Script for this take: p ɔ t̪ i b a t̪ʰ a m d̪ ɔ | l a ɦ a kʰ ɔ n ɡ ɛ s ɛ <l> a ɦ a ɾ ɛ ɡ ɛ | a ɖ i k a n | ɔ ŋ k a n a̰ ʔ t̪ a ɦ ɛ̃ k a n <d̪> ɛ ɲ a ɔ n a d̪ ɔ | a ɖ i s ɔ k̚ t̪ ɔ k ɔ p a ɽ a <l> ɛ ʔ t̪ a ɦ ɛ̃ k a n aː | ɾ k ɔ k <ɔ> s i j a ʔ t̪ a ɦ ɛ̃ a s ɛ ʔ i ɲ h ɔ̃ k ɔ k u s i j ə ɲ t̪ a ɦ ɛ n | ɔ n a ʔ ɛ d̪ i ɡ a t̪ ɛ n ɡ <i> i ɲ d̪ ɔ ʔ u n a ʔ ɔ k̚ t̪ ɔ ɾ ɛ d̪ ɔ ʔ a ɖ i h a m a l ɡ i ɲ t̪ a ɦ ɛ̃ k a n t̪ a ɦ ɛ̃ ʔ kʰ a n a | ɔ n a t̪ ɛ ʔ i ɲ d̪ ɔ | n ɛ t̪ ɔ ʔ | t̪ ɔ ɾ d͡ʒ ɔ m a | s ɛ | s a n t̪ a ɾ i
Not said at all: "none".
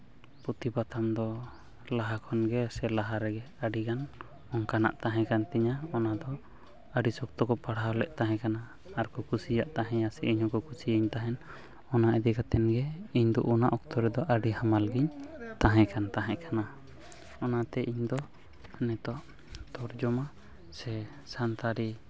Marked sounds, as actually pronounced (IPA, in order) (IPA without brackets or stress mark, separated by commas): l, t̪, l, u, ɛ